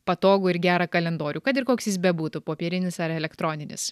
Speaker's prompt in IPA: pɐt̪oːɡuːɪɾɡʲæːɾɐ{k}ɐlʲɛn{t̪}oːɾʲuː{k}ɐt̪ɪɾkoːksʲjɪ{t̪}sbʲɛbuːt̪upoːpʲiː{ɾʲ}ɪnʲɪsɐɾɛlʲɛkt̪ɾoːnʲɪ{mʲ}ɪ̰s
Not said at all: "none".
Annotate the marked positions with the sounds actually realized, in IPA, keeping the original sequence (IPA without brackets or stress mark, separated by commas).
k, d̪, k, none, ɾʲ, nʲ